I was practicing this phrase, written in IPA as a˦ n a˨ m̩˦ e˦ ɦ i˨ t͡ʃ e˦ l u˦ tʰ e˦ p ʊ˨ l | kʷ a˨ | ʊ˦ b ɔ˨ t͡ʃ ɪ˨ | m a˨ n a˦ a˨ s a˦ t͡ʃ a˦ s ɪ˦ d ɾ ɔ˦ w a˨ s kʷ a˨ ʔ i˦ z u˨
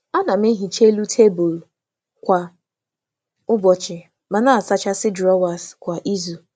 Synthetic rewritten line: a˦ n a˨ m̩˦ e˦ ɦ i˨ t͡ʃ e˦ l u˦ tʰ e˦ b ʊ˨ l | kʷ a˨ | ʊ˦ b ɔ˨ t͡ʃ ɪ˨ | m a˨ n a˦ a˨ s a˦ t͡ʃ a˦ s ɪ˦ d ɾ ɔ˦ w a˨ s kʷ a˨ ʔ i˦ z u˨